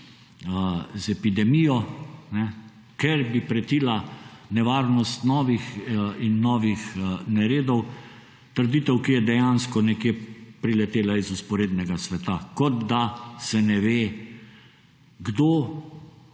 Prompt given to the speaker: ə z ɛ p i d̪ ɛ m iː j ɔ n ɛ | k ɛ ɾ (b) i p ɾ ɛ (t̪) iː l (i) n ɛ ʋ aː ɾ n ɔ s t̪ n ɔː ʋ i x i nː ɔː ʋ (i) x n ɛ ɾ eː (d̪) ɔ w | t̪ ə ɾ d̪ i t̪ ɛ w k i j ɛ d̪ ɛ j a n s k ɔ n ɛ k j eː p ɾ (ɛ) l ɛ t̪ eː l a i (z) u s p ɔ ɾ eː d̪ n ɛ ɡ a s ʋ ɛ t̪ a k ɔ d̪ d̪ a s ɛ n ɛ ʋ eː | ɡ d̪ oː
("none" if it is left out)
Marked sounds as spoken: b, t̪, a, i, d̪, i, z

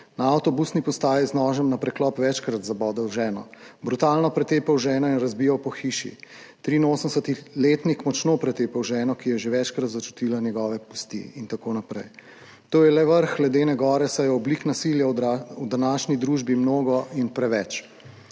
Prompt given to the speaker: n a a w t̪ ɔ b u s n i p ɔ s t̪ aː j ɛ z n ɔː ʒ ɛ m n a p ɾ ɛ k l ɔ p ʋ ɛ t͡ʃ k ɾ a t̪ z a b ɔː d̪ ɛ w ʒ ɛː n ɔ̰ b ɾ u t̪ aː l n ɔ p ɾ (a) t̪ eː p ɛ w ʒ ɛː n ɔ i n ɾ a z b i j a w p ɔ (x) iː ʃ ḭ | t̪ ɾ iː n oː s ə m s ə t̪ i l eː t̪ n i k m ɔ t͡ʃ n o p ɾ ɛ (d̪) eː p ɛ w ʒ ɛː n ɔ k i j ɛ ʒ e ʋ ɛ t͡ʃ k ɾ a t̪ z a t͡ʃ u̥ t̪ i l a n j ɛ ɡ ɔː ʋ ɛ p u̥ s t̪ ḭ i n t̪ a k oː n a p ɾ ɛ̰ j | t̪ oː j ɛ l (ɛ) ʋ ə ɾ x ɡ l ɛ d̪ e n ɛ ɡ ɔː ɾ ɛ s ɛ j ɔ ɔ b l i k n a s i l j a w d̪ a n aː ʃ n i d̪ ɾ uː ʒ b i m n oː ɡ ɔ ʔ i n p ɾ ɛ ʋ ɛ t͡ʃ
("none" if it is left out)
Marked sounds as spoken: ɛ, x, t̪, ɛ

